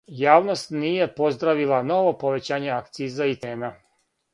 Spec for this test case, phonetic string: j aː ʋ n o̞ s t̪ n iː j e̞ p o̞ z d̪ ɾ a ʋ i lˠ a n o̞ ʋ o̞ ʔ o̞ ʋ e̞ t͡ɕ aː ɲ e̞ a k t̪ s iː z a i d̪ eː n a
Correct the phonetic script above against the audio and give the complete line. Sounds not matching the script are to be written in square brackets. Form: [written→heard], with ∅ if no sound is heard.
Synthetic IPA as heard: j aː ʋ n o̞ s t̪ n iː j e̞ p o̞ z d̪ ɾ a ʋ i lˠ a n o̞ ʋ o̞ [ʔ→p] o̞ ʋ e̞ t͡ɕ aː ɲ e̞ a k t̪ s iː z a i [d̪→t̪] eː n a